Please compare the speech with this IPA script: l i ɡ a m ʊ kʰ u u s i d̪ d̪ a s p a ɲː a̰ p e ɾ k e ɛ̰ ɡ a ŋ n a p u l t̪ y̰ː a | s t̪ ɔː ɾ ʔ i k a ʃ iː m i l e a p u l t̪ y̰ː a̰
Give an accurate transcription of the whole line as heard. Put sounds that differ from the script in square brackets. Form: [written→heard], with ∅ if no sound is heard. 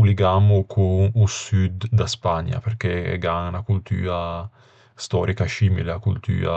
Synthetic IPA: l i ɡ a m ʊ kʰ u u s [i→y] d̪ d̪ a s p a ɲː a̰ p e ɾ k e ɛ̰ ɡ a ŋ n a [p→k] u l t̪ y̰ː a | s t̪ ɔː ɾ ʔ i k a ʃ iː m i l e a [p→k] u l t̪ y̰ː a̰